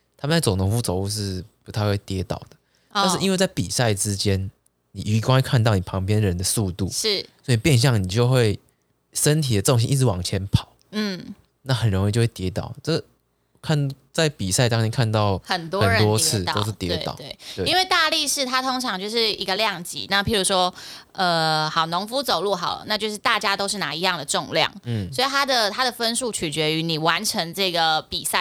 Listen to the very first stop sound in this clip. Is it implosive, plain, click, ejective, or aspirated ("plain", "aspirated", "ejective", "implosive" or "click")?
aspirated